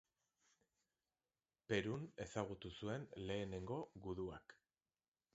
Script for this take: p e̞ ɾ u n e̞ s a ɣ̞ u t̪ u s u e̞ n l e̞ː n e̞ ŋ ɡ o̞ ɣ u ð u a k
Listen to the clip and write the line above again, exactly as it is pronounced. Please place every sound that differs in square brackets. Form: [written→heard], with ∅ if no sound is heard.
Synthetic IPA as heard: p e̞ ɾ u n e̞ s a ɣ̞ u t̪ u s u e̞ n l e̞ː n e̞ ŋ ɡ o̞ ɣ u ð u a k